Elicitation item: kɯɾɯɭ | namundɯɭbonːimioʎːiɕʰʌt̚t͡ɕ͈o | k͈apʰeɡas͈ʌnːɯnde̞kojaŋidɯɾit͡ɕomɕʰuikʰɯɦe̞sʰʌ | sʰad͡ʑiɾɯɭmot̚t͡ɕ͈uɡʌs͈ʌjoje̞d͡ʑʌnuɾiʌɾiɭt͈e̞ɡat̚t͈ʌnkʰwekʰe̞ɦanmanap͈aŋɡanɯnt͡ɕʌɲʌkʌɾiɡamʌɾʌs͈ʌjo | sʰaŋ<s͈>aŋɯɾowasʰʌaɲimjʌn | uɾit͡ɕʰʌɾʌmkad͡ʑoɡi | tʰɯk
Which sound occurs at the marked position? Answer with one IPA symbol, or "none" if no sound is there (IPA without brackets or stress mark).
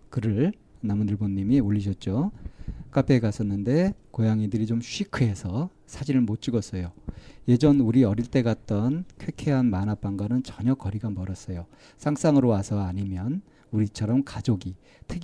s͈